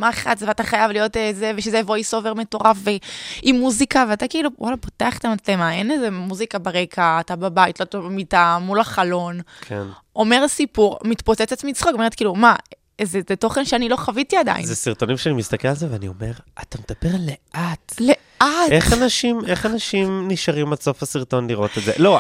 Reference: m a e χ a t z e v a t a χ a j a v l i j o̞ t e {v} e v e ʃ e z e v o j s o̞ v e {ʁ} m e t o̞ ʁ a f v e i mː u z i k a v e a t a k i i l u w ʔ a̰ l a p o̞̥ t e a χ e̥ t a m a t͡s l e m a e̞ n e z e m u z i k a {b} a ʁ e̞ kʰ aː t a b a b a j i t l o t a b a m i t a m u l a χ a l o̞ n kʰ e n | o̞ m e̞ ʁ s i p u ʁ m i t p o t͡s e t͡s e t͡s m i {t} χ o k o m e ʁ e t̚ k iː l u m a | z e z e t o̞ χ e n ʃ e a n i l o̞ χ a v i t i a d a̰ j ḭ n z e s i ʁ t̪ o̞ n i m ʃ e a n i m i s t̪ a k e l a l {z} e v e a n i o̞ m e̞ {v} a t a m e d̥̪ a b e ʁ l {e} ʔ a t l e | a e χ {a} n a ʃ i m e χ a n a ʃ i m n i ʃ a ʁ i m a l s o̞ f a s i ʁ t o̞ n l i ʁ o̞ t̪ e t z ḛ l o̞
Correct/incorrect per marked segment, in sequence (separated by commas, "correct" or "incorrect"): incorrect, correct, correct, incorrect, correct, incorrect, correct, correct